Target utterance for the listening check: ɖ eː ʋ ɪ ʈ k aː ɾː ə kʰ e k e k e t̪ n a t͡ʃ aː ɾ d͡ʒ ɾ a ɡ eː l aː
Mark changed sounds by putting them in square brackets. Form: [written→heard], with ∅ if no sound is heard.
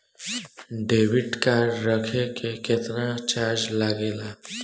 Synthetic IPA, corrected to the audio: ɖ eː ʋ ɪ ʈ k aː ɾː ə kʰ e k e k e t̪ n a t͡ʃ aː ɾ d͡ʒ [ɾ→l] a ɡ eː l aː